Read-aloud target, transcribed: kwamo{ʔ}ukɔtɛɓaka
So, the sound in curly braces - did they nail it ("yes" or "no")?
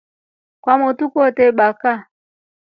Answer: no